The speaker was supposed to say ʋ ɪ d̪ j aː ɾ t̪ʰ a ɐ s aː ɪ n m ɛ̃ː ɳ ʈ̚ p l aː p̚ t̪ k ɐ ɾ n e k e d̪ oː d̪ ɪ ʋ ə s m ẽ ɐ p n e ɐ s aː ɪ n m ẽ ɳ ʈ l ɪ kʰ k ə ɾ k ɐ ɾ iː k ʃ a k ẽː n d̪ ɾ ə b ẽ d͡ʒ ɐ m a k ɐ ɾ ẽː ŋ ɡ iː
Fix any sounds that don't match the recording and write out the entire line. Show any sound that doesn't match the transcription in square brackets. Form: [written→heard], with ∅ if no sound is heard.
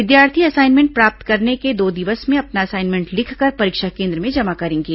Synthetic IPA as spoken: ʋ ɪ d̪ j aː ɾ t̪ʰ [a→i] ɐ s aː ɪ n m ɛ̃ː ɳ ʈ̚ p [l→ɾ] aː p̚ t̪ k ɐ ɾ n e k e d̪ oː d̪ ɪ ʋ ə s m ẽ ɐ p n [e→a] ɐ s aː ɪ n m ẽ ɳ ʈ l ɪ kʰ k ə ɾ [k→p] ɐ ɾ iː k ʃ a k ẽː n d̪ ɾ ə [b→m] ẽ d͡ʒ ɐ m a k ɐ ɾ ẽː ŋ ɡ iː

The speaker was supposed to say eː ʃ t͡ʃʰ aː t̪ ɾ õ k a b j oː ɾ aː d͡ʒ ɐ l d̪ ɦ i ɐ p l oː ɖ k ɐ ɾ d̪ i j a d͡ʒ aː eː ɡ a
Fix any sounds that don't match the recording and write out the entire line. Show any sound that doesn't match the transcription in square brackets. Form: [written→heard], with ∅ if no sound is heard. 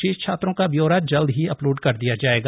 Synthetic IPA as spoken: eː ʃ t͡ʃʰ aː t̪ ɾ õ k a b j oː ɾ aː d͡ʒ ɐ l d̪ ɦ i ɐ p l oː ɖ k ɐ ɾ d̪ i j a d͡ʒ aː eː ɡ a

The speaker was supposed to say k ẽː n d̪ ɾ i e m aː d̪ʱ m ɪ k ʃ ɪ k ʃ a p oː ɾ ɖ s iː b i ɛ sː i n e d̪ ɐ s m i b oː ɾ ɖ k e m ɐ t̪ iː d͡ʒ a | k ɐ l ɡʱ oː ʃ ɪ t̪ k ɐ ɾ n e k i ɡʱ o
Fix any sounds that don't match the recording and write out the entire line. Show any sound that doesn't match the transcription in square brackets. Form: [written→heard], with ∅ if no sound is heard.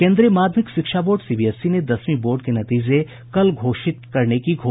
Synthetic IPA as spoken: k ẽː n d̪ ɾ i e m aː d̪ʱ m ɪ k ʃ ɪ k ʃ a [p→b] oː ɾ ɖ s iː b i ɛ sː i n e d̪ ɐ s m i b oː ɾ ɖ k e [m→n] ɐ t̪ iː d͡ʒ [a→e] | k ɐ l ɡʱ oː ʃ ɪ t̪ k ɐ ɾ n e k i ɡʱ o

